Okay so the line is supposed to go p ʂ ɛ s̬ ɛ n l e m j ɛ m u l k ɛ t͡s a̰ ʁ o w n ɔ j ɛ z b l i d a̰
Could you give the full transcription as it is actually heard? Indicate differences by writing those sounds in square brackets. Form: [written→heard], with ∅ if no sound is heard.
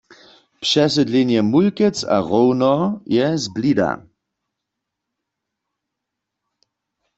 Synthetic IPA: p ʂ ɛ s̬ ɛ [n→d] l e [m→n] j ɛ m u l k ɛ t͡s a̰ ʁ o w n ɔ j ɛ z b l i d a̰